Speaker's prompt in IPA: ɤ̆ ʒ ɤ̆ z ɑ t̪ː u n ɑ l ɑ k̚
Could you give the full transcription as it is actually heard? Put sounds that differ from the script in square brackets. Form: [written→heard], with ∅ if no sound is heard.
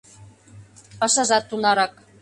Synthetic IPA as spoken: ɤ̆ [ʒ→ʃ] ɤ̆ [z→ʒ] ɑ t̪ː u n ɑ [l→ɾ] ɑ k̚